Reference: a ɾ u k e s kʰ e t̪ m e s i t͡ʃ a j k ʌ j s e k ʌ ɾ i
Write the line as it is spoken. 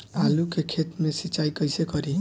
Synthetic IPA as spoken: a l u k e kʰ e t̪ m e s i t͡ʃ a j k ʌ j s e k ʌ ɾ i